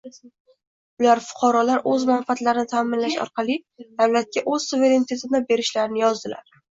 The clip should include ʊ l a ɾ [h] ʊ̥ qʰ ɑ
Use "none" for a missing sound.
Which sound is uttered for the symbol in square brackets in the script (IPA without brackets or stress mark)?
f